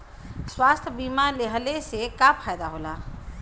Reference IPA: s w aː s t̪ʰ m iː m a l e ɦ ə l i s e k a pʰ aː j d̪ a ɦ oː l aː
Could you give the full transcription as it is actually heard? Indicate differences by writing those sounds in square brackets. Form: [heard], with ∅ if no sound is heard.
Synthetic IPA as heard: s w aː s t̪ʰ [b] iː m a l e ɦ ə l [e] s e k a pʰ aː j d̪ a ɦ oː l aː